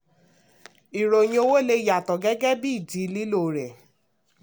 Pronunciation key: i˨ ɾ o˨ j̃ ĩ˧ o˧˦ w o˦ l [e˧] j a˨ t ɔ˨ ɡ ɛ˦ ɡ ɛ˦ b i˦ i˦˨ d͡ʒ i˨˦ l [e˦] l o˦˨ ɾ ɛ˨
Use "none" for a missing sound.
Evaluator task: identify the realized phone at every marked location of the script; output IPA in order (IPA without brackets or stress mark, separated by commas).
e˧, i˦